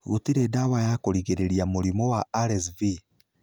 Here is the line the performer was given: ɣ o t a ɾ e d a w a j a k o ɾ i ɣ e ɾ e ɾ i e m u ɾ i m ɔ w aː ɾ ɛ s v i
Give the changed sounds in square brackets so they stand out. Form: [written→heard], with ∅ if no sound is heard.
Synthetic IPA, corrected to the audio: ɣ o t [a→i] ɾ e d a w a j a k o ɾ i ɣ e ɾ e ɾ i [e→a] m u ɾ i m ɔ w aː ɾ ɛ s v i